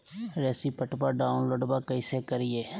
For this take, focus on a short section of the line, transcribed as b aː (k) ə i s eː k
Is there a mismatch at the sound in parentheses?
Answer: no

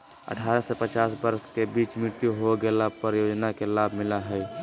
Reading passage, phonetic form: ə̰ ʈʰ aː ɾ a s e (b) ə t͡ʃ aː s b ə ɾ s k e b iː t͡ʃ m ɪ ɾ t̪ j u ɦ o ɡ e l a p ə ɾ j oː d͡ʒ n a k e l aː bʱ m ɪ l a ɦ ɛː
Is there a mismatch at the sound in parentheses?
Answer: yes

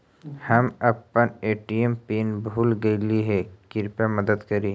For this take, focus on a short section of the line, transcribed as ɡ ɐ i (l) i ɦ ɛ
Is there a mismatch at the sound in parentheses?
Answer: no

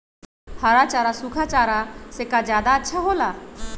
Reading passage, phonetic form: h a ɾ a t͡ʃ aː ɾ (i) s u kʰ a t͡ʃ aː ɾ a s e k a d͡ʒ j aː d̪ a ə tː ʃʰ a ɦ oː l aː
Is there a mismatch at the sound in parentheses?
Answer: yes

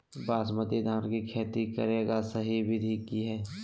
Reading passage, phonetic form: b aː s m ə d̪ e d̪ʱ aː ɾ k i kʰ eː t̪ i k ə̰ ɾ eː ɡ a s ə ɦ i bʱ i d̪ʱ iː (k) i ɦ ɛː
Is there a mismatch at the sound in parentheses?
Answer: no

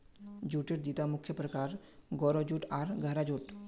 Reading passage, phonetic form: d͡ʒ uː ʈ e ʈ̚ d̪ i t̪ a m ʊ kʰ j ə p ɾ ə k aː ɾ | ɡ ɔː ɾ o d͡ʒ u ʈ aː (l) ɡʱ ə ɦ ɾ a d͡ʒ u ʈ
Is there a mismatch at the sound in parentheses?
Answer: yes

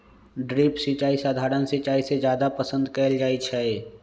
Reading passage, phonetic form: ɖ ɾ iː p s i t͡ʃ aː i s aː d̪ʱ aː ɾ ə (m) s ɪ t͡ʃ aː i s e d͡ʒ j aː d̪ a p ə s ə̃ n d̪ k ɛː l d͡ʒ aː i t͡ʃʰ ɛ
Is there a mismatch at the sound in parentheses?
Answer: yes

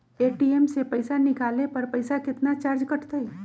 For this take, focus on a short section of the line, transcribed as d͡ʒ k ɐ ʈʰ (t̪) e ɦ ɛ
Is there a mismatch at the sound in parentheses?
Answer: no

